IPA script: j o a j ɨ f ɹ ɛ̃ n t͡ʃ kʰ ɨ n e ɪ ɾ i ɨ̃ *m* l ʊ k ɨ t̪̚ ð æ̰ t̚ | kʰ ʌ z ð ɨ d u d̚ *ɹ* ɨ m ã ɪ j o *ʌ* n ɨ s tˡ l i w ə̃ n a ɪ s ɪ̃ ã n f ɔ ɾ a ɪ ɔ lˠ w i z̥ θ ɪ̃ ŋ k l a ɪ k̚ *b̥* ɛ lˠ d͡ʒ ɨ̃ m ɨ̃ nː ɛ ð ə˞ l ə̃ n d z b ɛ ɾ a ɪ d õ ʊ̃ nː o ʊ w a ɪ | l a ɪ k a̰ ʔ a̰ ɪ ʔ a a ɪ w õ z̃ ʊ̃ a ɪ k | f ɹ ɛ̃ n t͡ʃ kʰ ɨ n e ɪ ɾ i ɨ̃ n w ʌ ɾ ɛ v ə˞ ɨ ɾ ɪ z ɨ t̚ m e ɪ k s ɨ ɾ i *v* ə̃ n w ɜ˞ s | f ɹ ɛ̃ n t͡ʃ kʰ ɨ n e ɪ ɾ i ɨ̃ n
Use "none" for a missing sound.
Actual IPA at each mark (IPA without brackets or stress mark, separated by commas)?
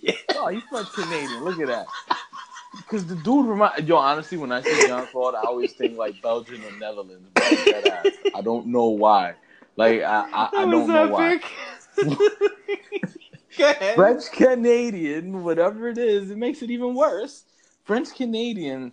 n, ɹ, ɑ, b̥, v